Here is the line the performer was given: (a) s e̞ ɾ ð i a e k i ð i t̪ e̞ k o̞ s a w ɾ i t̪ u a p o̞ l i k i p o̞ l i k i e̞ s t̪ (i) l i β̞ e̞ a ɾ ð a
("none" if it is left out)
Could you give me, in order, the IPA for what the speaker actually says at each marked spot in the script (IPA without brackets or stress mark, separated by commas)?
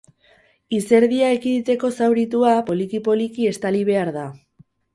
i, a